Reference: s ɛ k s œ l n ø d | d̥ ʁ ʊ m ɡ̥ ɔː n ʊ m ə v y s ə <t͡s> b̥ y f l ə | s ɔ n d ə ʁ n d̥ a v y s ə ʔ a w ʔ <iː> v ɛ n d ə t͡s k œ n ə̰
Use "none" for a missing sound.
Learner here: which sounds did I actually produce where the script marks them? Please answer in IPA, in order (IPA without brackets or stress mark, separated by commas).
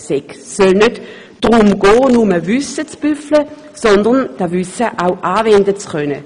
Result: t͡s, aː